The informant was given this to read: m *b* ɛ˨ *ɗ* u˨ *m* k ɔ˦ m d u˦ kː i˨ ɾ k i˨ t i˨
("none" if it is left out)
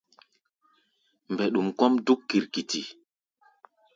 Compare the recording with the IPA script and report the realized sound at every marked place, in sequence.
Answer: b, ɗ, m

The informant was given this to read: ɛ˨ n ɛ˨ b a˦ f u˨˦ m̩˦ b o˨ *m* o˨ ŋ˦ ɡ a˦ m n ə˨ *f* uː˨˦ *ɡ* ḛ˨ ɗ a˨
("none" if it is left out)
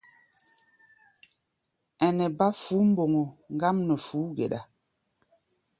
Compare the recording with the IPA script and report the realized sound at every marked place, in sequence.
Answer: ŋ, f, ɡ

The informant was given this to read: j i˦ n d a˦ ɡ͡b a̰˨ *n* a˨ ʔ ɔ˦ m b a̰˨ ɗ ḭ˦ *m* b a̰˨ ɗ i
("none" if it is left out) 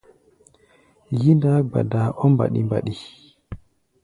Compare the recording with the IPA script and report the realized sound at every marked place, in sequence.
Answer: d, m

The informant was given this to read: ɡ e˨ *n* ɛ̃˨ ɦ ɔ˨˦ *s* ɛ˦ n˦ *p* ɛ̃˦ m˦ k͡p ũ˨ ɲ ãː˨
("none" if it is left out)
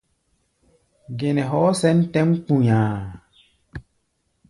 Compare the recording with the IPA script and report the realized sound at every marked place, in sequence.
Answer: n, s, t

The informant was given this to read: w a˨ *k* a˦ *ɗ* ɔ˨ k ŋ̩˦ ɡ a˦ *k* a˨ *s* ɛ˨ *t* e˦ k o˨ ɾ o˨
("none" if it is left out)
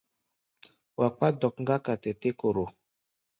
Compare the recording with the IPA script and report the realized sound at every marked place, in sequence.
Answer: k͡p, d, k, t, t

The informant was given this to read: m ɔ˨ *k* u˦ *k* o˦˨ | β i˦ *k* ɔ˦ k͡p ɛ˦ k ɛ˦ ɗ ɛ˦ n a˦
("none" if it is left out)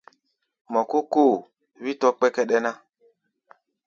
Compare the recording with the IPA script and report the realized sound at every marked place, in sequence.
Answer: k, k, t

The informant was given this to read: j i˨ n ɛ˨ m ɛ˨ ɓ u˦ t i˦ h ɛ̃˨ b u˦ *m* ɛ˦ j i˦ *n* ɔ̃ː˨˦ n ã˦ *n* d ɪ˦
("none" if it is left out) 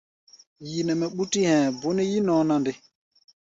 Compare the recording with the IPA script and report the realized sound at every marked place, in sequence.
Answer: n, n, n

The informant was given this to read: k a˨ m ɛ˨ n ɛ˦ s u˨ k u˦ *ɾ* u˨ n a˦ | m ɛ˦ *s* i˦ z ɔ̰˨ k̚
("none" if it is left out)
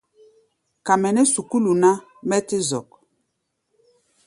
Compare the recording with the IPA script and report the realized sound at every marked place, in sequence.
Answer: l, t

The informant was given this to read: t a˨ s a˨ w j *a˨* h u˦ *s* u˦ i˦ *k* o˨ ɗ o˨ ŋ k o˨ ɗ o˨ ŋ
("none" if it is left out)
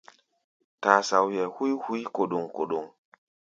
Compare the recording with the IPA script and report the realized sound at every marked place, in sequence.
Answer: ɛ˨, h, k

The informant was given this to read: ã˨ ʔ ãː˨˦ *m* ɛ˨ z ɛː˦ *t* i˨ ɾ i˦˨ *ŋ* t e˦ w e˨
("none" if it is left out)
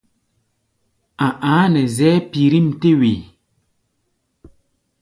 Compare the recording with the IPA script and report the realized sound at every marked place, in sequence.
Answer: n, p, m

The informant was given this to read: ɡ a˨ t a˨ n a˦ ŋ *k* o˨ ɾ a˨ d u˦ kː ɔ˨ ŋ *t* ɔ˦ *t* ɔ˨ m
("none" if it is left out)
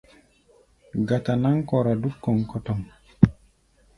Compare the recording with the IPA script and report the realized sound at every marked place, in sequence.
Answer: k, k, t

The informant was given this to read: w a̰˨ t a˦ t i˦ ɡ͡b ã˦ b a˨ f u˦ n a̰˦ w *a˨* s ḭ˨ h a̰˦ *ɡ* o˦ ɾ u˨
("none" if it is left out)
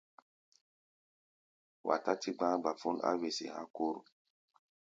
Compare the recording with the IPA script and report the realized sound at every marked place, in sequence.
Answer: e˨, k

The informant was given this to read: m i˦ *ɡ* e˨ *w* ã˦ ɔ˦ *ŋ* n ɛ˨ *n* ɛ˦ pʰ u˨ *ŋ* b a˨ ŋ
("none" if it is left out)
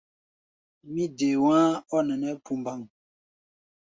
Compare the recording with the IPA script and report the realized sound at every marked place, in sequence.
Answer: d, w, none, n, m

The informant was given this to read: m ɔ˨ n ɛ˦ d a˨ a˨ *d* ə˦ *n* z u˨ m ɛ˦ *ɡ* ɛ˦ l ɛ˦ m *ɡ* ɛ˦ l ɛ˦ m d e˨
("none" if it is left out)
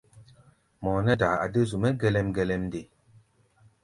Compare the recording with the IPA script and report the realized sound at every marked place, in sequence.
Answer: d, none, ɡ, ɡ

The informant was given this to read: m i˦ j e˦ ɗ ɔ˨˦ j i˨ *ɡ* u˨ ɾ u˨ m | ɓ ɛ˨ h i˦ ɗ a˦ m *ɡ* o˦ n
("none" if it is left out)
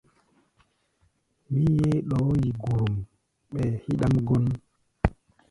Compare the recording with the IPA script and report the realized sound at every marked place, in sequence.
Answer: ɡ, ɡ

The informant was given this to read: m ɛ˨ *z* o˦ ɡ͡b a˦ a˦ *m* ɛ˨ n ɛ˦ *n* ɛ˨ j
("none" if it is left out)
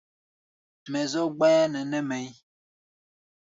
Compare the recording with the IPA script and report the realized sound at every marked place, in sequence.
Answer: z, n, m

